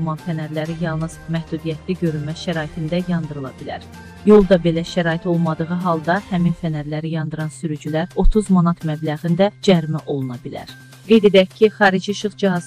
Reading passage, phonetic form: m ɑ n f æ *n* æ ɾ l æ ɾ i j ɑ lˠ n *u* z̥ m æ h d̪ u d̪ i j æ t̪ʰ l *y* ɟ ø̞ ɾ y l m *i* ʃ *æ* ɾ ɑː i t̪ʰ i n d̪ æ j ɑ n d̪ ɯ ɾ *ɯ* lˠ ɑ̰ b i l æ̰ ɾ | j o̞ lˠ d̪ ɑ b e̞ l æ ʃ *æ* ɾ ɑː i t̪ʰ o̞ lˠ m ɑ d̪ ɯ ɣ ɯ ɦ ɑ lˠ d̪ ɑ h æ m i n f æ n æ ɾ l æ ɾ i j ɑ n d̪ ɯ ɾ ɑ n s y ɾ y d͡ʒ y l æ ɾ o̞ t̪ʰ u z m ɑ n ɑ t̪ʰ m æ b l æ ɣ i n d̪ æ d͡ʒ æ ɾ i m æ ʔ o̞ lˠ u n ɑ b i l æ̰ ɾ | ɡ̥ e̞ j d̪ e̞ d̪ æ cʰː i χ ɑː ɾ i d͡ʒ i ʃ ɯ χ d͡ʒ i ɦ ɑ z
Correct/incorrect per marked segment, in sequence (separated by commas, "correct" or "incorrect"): correct, incorrect, incorrect, incorrect, correct, correct, correct